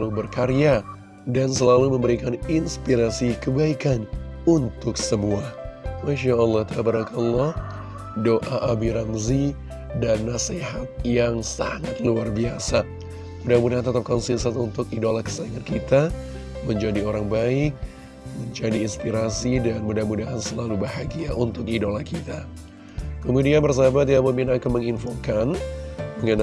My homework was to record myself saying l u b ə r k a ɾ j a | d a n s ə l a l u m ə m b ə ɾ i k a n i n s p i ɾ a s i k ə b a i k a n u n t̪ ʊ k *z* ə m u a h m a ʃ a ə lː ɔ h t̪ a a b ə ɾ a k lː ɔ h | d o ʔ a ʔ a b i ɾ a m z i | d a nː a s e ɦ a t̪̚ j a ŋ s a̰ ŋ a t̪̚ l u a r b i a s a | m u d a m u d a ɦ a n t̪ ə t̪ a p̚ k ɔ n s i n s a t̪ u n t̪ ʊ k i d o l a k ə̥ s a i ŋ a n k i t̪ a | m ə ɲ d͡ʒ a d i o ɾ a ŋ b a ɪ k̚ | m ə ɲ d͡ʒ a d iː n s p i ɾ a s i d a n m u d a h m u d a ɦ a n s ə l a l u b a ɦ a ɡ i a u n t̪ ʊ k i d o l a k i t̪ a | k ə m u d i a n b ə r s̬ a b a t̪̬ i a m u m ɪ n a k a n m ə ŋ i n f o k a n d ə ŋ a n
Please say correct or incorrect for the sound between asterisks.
incorrect